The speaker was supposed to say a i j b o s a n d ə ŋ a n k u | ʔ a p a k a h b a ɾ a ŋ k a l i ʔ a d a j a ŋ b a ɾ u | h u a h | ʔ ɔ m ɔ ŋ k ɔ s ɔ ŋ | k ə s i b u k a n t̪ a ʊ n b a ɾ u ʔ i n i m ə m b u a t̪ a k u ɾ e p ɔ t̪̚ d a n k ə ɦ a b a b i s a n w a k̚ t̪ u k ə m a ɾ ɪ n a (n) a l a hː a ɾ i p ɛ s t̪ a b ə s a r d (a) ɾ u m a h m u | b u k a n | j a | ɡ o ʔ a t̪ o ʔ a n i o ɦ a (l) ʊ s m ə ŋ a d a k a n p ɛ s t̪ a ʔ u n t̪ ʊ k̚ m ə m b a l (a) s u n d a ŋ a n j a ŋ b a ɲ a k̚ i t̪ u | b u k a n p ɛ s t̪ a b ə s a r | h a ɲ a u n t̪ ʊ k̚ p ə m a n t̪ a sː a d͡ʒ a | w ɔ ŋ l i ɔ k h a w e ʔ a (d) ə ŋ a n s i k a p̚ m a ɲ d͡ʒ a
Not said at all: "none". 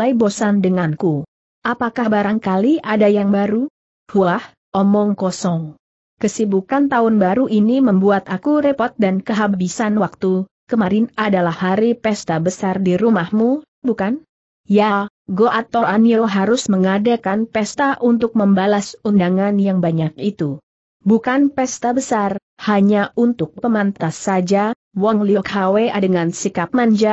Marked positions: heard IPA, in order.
d, i, ɾ, a, d

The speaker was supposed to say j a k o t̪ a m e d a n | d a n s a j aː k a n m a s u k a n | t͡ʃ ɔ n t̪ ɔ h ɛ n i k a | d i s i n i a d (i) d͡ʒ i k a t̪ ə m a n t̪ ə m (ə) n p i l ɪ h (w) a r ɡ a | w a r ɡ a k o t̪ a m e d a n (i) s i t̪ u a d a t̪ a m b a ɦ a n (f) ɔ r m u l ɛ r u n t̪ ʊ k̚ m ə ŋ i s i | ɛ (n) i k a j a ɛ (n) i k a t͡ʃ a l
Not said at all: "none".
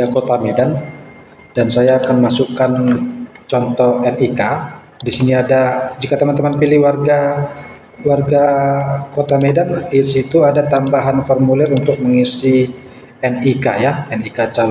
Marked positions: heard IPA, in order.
a, a, w, i, f, n, n

